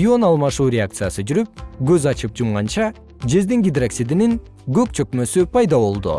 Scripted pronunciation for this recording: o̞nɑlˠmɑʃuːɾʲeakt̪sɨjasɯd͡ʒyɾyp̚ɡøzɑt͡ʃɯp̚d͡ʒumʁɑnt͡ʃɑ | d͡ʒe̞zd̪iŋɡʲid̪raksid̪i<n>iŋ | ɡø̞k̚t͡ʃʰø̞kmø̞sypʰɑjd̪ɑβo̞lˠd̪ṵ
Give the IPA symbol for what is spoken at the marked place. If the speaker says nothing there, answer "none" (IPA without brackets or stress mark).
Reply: n